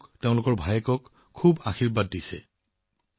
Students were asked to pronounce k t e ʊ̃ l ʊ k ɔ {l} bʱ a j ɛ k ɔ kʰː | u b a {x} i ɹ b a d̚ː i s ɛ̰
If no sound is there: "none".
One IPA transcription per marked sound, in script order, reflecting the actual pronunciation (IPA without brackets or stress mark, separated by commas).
ɹ, x